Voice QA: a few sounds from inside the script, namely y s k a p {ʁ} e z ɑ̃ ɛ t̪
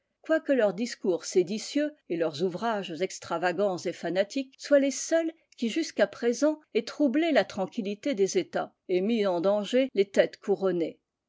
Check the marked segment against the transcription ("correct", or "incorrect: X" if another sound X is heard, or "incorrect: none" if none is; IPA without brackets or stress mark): incorrect: χ